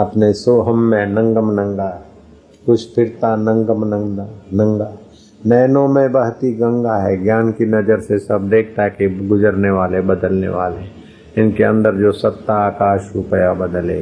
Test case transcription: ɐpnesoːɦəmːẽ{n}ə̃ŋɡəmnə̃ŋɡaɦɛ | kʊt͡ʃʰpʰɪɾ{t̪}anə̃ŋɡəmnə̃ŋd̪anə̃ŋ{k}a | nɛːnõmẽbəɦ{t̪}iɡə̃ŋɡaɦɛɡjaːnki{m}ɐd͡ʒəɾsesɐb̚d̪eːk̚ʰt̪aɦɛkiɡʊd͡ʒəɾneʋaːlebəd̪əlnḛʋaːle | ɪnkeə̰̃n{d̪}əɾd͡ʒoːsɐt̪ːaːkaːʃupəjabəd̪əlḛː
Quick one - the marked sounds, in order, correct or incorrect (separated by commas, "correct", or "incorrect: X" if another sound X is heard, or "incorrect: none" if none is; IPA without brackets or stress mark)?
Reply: correct, correct, incorrect: ɡ, correct, incorrect: n, correct